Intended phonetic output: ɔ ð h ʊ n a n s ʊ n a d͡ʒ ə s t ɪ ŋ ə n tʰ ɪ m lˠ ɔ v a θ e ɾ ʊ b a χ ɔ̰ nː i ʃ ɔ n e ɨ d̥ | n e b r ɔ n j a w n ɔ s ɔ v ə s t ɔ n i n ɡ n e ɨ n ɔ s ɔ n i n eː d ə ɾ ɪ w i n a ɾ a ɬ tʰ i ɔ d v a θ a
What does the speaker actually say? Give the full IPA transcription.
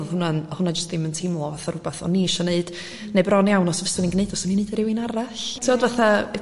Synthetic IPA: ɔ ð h ʊ n a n h ʊ n a d͡ʒ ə s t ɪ m ə n tʰ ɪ m lˠ ɔ v a θ a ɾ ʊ b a θ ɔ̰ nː i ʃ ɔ n e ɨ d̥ | n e b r ɔ n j a w n ɔ s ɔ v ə s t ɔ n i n ɡ n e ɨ d ɔ s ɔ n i n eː d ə ɾ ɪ w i n a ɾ a ɬ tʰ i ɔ d v a θ a